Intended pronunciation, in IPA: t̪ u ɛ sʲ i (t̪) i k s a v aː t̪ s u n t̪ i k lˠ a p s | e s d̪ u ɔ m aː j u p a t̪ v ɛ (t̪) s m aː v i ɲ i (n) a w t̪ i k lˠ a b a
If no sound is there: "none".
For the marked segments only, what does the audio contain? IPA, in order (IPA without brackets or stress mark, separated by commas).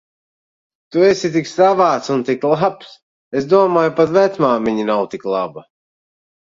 t̪, t̪, n